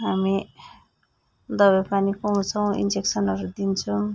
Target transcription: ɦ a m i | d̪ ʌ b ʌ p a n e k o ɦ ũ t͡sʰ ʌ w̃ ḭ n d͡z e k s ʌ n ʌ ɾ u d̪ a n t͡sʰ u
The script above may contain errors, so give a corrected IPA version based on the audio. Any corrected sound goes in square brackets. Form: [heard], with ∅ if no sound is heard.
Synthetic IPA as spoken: ɦ a m i | d̪ ʌ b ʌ p a n [i] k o ɦ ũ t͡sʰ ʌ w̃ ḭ n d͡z e k s ʌ n ʌ ɾ u d̪ [i] n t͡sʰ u

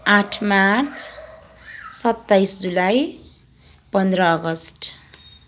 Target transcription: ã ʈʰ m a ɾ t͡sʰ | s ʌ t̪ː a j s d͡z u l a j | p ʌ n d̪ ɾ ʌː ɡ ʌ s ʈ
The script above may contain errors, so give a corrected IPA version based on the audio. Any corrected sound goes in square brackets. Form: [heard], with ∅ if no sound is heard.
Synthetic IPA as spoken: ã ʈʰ m a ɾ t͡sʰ | s ʌ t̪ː a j s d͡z u l a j | p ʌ n d̪ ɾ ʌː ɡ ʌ s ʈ

